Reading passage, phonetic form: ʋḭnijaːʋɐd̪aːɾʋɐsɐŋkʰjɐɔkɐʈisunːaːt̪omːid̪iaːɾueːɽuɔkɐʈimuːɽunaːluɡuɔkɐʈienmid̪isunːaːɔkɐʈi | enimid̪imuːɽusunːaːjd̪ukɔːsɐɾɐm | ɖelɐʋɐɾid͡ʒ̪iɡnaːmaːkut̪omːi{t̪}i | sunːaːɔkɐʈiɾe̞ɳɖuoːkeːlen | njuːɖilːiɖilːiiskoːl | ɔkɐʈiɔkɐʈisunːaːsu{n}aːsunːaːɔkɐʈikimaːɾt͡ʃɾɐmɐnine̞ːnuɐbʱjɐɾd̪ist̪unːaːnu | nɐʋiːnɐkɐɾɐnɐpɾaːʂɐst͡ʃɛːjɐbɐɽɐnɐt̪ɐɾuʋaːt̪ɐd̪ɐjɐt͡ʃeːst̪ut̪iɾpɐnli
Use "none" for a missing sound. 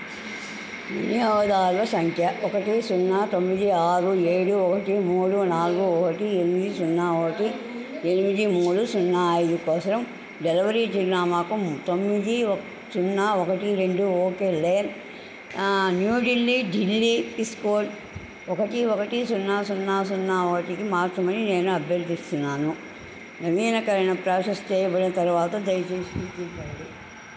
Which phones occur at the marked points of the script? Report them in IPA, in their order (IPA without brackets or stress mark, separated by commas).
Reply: d̪, nː